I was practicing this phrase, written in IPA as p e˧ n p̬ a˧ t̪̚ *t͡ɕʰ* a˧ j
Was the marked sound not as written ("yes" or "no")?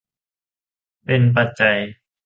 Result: yes